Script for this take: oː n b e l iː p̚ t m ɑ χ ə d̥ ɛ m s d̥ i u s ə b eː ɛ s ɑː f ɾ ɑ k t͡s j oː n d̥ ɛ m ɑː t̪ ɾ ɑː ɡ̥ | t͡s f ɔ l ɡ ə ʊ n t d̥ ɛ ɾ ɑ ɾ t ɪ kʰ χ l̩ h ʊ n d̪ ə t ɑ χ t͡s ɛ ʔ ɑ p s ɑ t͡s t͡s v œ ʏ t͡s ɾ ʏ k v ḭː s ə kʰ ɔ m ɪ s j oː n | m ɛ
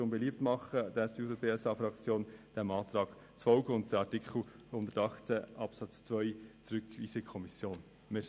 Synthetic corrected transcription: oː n b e l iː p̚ t m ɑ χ ə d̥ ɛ s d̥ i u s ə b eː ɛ s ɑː f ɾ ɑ k t͡s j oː n d̥ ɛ m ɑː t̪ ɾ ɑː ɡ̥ | t͡s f ɔ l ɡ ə ʊ n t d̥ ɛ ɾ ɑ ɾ t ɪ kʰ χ l̩ h ʊ n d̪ ə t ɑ χ t͡s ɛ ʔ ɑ p s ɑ t͡s t͡s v œ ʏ t͡s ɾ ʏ k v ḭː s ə kʰ ɔ m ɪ s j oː n | m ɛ